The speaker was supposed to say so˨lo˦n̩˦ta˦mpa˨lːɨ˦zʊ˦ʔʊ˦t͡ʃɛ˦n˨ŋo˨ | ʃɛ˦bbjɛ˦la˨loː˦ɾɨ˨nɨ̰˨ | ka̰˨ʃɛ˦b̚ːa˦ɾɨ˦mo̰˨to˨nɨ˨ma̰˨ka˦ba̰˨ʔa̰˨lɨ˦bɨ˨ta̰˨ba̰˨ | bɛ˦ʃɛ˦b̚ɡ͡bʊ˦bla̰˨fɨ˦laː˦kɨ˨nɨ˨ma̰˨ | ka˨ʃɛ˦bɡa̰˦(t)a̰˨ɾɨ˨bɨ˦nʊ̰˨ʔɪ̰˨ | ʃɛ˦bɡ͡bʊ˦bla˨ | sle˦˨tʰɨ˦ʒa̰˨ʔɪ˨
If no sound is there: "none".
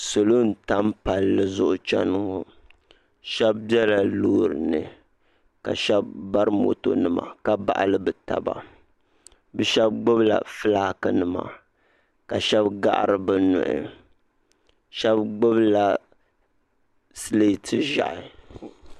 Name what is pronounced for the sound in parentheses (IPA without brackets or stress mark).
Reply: ʔ